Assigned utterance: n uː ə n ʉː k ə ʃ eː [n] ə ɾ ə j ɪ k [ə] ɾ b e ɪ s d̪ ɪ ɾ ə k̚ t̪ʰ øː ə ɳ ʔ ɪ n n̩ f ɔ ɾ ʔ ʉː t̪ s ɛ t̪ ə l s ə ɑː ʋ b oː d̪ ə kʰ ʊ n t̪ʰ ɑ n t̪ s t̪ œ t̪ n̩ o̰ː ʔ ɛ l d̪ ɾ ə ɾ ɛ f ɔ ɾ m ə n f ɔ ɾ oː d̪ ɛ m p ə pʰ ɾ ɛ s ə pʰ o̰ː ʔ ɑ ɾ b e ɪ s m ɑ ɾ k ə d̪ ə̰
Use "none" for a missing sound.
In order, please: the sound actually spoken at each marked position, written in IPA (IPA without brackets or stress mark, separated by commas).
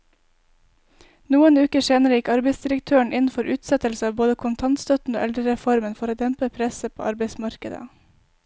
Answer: n, ɑ